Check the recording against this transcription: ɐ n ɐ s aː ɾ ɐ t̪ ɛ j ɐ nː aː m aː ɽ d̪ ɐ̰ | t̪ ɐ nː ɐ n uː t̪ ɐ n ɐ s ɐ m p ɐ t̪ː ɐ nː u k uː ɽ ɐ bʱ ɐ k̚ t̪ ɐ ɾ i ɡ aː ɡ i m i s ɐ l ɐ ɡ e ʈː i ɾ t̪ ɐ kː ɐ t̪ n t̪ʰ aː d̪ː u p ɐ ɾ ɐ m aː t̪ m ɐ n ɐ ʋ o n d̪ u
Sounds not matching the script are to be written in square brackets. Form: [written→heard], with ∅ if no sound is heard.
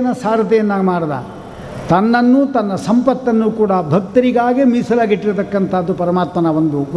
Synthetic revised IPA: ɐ n ɐ s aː ɾ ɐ t̪ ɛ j ɐ nː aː m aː ɽ d̪ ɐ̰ | t̪ ɐ nː ɐ [n→nː] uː t̪ ɐ [n→nː] ɐ s ɐ m p ɐ t̪ː ɐ nː u k uː ɽ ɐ bʱ ɐ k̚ t̪ ɐ ɾ i ɡ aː ɡ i m i s ɐ l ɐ ɡ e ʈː i ɾ t̪ ɐ kː ɐ [t̪→∅] n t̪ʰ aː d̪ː u p ɐ ɾ ɐ m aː t̪ m ɐ n ɐ ʋ o n d̪ u